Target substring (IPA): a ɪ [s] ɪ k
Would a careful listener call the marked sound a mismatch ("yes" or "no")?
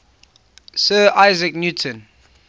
yes